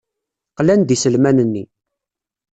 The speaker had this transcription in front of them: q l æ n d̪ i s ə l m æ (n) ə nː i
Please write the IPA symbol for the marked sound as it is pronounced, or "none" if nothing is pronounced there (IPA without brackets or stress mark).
n